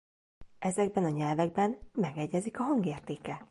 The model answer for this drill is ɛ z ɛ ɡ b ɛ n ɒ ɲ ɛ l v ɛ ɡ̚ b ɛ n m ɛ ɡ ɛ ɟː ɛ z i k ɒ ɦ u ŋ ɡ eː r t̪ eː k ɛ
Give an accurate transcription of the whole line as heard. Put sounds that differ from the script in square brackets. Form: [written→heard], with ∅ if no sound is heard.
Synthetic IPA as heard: ɛ z ɛ ɡ b ɛ n ɒ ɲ ɛ l v ɛ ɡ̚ b ɛ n m ɛ ɡ ɛ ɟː ɛ z i k ɒ ɦ [u→ɒ] ŋ ɡ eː r t̪ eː k ɛ